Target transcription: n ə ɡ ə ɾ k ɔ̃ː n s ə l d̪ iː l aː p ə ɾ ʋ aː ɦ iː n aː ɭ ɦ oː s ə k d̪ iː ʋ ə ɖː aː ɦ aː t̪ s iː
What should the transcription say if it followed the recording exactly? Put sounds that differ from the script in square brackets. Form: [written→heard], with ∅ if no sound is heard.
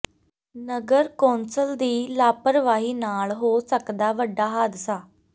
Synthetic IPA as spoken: n ə ɡ ə ɾ k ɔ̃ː n s ə l d̪ iː l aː p ə ɾ ʋ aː ɦ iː n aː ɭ ɦ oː s ə k d̪ [iː→aː] ʋ ə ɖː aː ɦ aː [t̪→d̪] s [iː→aː]